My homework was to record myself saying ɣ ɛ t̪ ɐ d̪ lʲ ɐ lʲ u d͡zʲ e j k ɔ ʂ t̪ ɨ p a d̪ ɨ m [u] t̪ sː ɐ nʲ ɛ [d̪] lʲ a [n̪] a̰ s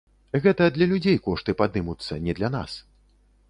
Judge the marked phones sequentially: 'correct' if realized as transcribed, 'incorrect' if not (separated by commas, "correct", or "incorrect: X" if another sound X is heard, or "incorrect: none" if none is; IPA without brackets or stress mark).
correct, correct, correct